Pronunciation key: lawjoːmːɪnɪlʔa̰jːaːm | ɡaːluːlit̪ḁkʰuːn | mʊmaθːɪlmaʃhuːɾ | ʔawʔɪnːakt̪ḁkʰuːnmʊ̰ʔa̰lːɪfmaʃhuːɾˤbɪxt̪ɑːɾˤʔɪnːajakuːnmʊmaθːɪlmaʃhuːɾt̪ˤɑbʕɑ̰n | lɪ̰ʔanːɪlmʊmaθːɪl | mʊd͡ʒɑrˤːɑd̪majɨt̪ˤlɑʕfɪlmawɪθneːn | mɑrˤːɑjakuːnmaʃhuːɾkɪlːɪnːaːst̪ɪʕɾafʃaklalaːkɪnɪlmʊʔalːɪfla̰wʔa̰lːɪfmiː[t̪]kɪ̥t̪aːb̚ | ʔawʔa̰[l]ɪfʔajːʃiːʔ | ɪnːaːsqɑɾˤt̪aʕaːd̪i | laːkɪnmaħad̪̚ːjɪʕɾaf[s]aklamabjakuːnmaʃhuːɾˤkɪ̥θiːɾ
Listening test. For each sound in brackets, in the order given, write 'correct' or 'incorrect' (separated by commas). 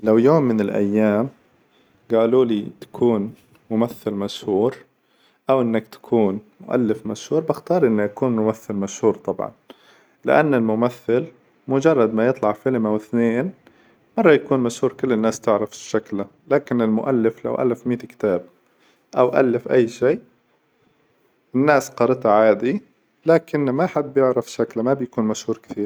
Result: correct, incorrect, incorrect